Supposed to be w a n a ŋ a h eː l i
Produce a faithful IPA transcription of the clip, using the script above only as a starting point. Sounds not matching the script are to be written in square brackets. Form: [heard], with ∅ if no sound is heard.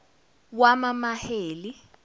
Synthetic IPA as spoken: w a [m] a [m] a h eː l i

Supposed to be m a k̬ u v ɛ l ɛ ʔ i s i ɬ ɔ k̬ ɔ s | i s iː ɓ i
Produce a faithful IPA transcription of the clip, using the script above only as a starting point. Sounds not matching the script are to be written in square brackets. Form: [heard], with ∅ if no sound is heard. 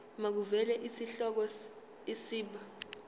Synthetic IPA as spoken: m a k̬ u v ɛ l ɛ ʔ i s i ɬ ɔ k̬ ɔ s | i s iː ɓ [a]

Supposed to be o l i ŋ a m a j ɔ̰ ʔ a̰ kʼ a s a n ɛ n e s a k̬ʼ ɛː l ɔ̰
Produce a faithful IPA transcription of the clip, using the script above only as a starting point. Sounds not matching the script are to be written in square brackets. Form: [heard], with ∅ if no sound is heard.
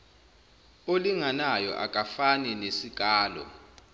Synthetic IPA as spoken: o l i ŋ a [n] a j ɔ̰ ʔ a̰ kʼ a [f] a n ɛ n e s [i] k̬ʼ [aː] l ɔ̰

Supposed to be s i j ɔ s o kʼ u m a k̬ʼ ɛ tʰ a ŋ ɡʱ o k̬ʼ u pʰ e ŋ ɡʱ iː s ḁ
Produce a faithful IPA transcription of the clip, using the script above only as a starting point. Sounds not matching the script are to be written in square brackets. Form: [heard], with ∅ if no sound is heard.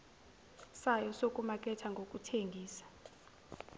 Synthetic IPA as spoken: s [a] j ɔ s o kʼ u m a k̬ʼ ɛ tʰ a ŋ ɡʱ o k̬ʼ u [tʰ] e ŋ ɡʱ iː s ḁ

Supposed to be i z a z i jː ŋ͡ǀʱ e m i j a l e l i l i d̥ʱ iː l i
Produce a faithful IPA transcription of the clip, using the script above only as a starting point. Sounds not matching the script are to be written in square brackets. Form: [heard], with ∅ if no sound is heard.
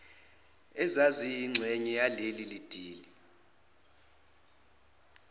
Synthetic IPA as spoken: [ɛ] z a z i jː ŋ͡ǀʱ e [ɲ] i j a l e l i l i d̥ʱ iː l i

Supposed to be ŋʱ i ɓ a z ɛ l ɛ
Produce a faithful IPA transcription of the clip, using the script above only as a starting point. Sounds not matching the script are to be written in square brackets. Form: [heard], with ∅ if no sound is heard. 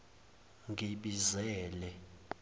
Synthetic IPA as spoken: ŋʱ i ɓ [i] z [ɛː] l ɛ

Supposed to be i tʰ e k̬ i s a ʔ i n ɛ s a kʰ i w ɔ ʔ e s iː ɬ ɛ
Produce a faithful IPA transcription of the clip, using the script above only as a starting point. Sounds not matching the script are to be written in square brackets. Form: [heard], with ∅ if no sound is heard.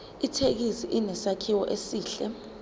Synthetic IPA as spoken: i tʰ e k̬ i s [i] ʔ i n ɛ s a kʰ i w ɔ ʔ e s iː ɬ ɛ

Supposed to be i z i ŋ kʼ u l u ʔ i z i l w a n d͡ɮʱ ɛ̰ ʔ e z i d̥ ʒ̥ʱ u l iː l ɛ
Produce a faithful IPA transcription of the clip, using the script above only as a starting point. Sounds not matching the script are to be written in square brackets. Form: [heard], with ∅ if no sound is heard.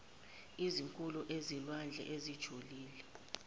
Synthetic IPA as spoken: i z i ŋ kʼ u l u ʔ [e] z i l w a n d͡ɮʱ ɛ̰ ʔ e z i d̥ ʒ̥ʱ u l iː l ɛ

